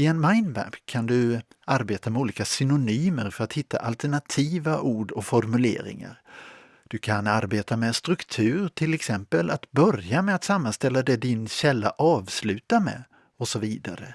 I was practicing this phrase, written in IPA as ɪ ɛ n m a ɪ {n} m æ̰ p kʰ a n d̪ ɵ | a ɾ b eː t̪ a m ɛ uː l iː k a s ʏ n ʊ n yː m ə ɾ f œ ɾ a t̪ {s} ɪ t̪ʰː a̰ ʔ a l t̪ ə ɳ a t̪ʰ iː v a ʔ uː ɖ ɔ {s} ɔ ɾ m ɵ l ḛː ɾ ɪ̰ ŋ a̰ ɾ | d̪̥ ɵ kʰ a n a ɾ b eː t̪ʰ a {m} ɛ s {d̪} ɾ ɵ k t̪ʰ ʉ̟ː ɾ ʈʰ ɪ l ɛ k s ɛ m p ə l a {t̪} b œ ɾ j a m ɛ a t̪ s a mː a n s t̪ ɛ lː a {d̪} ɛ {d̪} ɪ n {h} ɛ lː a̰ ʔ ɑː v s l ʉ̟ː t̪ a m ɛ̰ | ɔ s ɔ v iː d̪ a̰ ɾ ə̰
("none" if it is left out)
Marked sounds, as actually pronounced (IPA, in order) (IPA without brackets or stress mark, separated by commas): n, h, f, m, t̪, t̪, d̪, d̪, ɕ